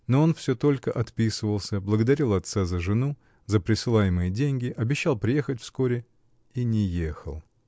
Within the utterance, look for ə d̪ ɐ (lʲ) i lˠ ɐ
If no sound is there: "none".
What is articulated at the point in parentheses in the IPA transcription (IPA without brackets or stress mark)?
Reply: ɾʲ